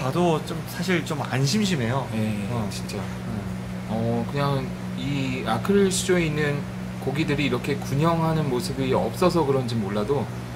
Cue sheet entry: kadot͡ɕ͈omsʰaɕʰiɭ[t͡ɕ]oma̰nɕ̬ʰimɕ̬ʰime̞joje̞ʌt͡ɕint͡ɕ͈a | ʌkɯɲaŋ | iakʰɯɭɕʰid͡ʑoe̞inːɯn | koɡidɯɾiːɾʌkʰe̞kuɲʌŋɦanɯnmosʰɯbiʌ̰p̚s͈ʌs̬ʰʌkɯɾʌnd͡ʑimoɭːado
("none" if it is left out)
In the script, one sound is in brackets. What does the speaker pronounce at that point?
t͡ɕ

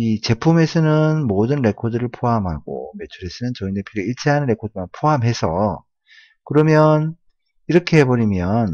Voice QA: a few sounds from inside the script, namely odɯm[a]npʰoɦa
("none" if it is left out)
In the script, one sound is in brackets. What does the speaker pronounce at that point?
a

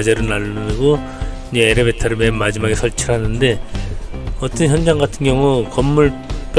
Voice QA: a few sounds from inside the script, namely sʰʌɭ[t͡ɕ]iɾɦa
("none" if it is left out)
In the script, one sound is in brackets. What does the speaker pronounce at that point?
t͡ɕʰ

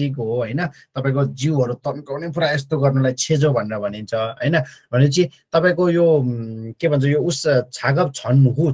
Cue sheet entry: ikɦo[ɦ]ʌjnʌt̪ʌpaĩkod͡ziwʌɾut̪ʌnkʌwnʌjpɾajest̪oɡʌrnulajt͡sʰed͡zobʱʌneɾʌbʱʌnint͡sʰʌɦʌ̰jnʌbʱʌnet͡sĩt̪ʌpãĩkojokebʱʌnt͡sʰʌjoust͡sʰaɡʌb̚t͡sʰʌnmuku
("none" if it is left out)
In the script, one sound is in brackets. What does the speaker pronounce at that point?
ɦ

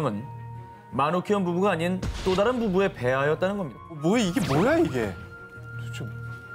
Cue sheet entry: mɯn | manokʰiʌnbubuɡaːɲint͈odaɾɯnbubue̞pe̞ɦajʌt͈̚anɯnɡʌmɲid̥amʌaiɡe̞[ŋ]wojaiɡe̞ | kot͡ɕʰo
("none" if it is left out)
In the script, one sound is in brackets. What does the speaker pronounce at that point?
m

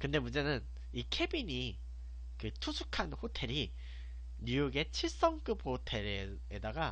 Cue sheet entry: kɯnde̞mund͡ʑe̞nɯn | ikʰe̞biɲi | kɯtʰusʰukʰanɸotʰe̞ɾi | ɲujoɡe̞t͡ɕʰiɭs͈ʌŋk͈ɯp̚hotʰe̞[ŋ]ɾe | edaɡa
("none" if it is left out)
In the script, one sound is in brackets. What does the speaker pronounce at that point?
none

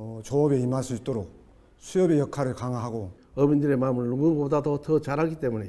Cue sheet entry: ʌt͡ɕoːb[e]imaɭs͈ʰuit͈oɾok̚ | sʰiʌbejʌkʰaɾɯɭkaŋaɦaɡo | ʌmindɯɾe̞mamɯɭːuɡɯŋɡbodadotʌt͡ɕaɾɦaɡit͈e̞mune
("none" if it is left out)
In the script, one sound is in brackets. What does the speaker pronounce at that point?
e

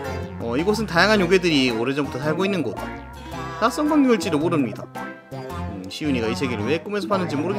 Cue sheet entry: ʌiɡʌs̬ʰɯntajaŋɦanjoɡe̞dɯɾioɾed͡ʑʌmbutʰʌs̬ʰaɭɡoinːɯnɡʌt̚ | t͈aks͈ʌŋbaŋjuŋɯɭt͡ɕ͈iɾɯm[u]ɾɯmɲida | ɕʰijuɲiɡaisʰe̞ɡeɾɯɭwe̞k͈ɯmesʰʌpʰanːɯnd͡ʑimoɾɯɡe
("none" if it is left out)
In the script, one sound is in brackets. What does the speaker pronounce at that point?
o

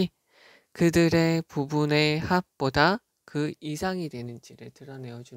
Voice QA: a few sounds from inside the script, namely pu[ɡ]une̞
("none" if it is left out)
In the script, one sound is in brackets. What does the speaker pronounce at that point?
b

